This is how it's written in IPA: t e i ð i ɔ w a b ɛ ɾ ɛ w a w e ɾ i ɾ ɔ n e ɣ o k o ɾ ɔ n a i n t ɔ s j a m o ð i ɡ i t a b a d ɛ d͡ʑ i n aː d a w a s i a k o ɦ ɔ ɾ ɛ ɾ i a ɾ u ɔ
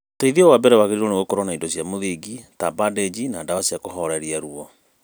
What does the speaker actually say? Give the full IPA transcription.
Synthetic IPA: t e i ð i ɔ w a b ɛ ɾ ɛ w a ɣ e ɾ i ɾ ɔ n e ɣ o k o ɾ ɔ n a i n d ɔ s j a m o ð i ɡ i t a b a d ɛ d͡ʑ i n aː d a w a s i a k o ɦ ɔ ɾ ɛ ɾ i a ɾ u ɔ